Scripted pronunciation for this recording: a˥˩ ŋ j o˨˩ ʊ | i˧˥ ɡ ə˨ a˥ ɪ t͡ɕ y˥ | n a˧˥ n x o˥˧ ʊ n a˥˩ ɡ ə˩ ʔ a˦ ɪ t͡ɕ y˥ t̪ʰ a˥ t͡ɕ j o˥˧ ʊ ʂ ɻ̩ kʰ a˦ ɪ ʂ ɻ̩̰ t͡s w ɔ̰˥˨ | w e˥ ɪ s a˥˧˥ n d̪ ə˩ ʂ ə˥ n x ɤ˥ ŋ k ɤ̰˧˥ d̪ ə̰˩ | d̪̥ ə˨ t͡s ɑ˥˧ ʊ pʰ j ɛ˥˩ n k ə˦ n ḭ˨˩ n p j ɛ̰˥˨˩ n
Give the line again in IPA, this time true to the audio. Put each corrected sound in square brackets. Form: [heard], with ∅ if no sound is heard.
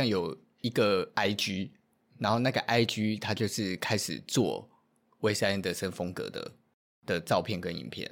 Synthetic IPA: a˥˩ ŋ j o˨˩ ʊ | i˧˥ ɡ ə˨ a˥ ɪ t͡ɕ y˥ | n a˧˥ n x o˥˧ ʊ n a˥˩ ɡ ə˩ ʔ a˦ ɪ t͡ɕ y˥ t̪ʰ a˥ t͡ɕ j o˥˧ ʊ ʂ ɻ̩ kʰ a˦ ɪ ʂ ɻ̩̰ t͡s w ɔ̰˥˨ | w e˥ ɪ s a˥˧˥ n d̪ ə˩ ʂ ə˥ n [f] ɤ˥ ŋ k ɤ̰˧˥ d̪ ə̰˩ | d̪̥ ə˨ t͡s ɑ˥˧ ʊ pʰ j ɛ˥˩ n k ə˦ n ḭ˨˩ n [pʰ] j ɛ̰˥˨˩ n